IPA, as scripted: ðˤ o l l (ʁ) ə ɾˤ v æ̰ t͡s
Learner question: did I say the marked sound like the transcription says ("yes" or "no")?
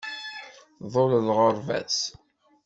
yes